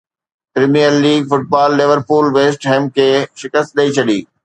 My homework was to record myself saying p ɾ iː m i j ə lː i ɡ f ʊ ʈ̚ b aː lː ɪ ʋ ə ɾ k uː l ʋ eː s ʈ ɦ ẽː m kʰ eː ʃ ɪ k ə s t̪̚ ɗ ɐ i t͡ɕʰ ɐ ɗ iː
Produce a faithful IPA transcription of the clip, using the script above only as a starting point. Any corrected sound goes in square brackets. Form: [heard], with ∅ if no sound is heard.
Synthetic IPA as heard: p ɾ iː m i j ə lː [iː] ɡ f ʊ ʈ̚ b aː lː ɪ ʋ ə ɾ [p] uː l ʋ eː s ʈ ɦ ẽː m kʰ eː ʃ ɪ k ə s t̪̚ ɗ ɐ i t͡ɕʰ ɐ ɗ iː